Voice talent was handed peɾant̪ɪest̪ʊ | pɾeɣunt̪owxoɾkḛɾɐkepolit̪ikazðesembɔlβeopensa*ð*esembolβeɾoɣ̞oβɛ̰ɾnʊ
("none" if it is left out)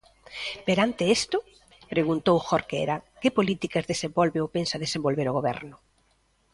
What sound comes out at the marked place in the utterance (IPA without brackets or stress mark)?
ð